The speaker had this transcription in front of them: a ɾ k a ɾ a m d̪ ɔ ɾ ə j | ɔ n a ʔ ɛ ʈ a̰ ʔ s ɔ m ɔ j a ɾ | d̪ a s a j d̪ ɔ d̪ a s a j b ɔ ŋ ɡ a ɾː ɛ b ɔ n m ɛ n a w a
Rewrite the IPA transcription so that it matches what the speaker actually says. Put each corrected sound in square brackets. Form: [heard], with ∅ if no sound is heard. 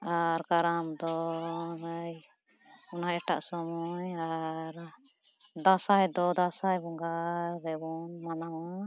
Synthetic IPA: a ɾ k a ɾ a m d̪ ɔ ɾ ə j | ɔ n a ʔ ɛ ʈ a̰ ʔ s ɔ m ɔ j a ɾ | d̪ a s a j d̪ ɔ d̪ a s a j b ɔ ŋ ɡ a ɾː ɛ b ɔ n m [a] n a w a